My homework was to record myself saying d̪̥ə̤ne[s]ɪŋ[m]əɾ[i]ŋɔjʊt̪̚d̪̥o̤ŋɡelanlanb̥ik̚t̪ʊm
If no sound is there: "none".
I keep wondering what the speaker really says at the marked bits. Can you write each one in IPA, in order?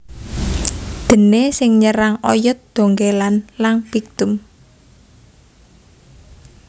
s, ɲ, a

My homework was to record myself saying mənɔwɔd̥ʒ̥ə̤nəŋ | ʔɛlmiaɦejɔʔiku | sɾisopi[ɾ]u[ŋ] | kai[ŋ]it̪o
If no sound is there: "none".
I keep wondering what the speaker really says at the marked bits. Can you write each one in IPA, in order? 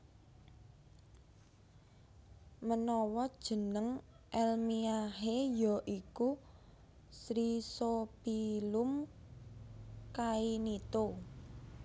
l, m, n

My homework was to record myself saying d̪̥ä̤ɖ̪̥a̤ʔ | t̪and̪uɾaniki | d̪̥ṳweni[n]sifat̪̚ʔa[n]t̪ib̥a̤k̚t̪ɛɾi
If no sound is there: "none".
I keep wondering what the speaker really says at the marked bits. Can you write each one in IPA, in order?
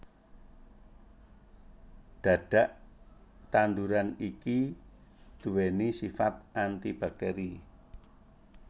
none, n

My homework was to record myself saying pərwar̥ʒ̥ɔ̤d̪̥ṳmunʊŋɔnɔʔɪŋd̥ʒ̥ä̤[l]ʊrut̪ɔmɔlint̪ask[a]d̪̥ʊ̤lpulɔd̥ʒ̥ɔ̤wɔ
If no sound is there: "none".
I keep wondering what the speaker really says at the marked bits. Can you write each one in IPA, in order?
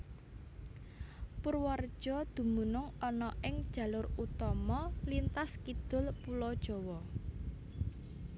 l, i

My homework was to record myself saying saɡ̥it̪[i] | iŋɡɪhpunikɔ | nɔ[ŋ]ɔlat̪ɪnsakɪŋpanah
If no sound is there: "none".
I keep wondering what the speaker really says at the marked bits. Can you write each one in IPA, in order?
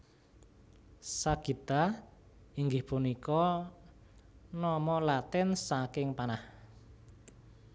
a, m

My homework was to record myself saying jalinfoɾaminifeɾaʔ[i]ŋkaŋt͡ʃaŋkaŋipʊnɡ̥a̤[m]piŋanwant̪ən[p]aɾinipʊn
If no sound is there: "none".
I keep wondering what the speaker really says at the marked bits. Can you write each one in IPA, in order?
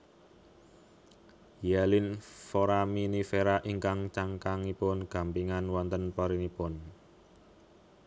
i, m, p

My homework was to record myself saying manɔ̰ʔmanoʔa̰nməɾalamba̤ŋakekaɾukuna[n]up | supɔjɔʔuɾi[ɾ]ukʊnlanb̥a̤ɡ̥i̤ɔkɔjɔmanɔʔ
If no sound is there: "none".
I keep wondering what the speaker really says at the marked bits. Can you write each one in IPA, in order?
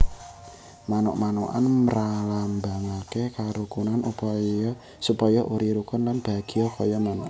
n, ɾ

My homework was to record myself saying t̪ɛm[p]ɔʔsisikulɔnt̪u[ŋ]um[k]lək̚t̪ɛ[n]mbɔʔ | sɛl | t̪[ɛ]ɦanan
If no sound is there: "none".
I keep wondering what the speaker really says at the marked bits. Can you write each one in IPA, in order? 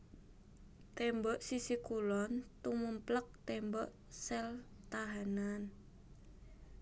b, m, p, none, a

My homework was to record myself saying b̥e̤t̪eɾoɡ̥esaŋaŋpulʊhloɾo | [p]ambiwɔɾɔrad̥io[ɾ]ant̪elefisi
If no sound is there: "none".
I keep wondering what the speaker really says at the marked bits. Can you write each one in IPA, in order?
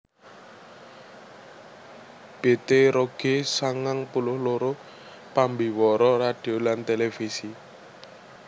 p, l

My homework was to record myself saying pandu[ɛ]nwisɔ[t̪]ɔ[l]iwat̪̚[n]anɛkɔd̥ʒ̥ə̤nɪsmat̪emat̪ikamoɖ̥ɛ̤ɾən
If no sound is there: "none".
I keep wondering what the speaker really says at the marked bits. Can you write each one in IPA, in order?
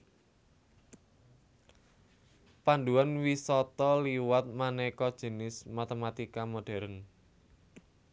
a, t̪, l, m

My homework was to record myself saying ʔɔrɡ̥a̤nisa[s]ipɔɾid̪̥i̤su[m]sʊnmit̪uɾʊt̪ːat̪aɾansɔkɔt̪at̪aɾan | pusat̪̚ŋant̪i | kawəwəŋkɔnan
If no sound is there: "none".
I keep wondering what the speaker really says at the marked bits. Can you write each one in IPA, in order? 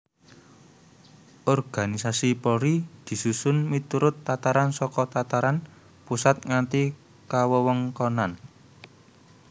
s, none

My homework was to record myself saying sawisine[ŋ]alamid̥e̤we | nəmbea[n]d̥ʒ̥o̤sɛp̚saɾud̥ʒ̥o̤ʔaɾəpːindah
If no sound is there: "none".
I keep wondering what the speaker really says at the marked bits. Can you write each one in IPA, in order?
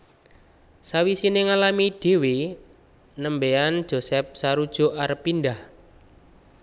ŋ, n

